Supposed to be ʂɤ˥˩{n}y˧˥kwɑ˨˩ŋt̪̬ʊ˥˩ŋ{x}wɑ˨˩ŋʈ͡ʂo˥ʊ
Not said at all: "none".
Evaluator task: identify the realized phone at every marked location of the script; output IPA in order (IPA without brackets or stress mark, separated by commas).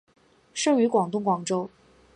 ŋ, k